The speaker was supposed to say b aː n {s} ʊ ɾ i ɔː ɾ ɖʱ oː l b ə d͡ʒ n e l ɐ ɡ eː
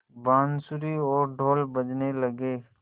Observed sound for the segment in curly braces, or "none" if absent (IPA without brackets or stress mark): s